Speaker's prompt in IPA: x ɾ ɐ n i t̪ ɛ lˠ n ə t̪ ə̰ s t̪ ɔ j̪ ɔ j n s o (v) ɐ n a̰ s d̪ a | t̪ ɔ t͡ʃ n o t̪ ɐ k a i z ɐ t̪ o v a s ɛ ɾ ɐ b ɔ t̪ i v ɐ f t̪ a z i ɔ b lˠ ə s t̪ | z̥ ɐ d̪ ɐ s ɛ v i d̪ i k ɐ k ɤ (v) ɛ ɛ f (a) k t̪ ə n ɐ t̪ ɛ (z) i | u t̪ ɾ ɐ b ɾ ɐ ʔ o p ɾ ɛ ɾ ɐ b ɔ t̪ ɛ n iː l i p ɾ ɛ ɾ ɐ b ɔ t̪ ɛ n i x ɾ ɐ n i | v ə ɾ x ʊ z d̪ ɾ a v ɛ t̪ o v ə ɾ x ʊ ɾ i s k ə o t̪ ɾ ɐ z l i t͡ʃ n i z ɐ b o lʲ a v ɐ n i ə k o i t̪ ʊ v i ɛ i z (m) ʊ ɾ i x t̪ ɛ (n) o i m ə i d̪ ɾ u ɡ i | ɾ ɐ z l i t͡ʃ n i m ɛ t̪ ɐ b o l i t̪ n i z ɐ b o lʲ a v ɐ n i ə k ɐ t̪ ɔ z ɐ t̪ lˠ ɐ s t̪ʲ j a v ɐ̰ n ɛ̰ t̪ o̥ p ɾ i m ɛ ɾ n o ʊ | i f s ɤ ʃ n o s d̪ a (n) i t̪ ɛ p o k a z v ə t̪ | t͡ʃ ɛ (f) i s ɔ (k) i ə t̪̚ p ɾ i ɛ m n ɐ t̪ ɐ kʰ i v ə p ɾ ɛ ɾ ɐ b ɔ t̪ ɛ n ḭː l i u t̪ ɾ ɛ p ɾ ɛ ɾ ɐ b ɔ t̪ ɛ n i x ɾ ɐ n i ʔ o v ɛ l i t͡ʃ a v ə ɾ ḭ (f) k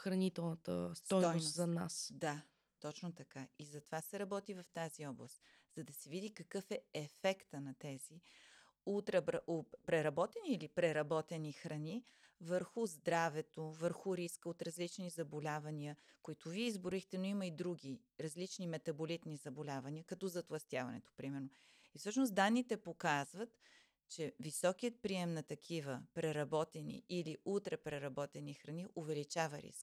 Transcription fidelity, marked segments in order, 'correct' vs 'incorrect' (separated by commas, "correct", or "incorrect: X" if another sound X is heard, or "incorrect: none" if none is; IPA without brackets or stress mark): incorrect: z, incorrect: f, incorrect: ɛ, correct, incorrect: b, correct, incorrect: nː, incorrect: v, correct, incorrect: s